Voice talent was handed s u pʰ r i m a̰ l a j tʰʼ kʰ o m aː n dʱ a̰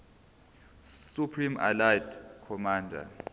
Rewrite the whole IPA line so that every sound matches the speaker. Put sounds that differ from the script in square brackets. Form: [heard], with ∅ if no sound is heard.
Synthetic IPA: s u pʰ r i m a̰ l a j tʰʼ kʰ [ɔ] m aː n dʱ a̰